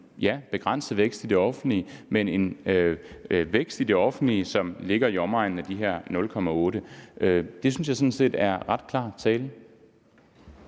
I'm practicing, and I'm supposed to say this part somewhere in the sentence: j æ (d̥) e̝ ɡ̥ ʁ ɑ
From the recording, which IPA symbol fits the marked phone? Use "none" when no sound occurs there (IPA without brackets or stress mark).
b̥